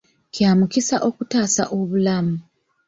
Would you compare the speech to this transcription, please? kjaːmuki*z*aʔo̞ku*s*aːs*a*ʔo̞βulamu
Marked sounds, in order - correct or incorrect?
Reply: incorrect, incorrect, correct

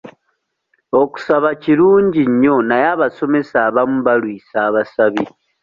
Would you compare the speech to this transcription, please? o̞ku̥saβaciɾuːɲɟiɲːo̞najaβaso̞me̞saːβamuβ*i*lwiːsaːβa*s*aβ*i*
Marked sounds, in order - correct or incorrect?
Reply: incorrect, correct, correct

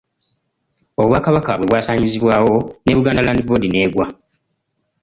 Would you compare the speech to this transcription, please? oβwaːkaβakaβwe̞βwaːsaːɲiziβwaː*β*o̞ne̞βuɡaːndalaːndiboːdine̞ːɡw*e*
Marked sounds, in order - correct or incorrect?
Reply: incorrect, incorrect

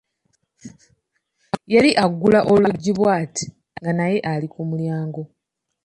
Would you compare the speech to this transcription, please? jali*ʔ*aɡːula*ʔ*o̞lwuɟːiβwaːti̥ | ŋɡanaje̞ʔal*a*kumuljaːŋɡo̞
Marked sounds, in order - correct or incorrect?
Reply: correct, correct, incorrect

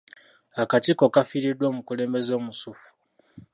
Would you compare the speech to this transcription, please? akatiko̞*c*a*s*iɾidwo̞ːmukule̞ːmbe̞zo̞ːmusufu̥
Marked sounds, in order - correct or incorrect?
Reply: incorrect, incorrect

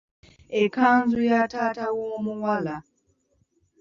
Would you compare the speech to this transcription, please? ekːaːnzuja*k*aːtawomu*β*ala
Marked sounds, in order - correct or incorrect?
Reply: incorrect, incorrect

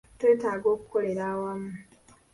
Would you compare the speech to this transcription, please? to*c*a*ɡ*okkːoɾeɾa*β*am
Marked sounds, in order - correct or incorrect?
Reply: incorrect, correct, incorrect

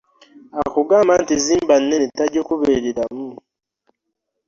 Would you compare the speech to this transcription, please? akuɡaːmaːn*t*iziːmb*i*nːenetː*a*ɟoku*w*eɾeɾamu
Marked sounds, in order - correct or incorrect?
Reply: correct, incorrect, correct, incorrect

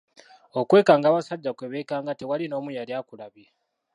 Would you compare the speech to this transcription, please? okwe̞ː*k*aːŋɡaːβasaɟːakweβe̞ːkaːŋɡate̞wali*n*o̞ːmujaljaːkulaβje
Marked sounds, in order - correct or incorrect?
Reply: correct, correct

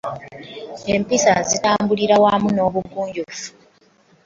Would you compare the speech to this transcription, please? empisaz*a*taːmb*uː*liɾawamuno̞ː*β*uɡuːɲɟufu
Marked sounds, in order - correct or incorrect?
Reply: incorrect, incorrect, correct

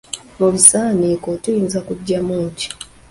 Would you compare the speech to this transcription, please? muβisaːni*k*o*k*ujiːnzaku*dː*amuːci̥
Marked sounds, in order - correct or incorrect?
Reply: correct, incorrect, incorrect

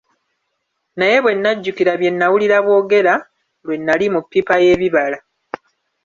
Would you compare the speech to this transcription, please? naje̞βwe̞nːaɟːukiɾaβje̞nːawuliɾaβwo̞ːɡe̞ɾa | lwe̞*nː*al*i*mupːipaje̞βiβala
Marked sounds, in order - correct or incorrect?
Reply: correct, correct

